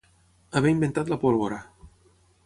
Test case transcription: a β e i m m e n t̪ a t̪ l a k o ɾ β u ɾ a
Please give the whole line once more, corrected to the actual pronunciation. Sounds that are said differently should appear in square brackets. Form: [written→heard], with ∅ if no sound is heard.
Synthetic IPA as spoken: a β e i m [m→b] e n t̪ a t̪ l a [k→p] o [ɾ→l] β [u→o] ɾ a

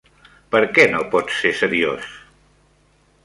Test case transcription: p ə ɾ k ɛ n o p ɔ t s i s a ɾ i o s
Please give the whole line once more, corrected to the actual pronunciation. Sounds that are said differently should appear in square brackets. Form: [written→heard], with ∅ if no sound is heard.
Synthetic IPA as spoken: p ə ɾ k ɛ n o p ɔ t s [i→e] s [a→ə] ɾ i o s

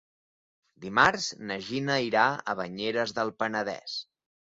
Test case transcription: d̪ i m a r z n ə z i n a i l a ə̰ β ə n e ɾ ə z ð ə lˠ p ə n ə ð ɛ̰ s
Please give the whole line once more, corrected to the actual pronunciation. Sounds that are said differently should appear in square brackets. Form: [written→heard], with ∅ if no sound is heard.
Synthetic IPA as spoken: d̪ i m a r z n ə [z→ʒ] i n [a→ə] i [l→ɾ] a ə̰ β ə [n→ɲ] e ɾ ə z ð ə lˠ p ə n ə ð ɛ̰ s

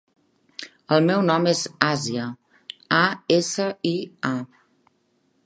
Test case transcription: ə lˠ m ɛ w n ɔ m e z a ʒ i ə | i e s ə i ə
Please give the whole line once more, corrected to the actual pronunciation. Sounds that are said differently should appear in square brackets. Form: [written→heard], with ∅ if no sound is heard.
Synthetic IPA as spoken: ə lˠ m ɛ w n ɔ m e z a [ʒ→z] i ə | [i→a] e s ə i [ə→a]

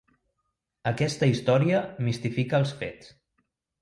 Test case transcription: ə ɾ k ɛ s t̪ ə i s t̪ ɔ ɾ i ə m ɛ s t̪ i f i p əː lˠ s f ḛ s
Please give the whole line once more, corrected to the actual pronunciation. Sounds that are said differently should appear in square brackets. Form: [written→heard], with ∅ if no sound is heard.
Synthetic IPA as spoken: ə [ɾ→∅] k ɛ s t̪ ə i s t̪ ɔ ɾ i ə m [ɛ→i] s t̪ i f i [p→k] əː lˠ s f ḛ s

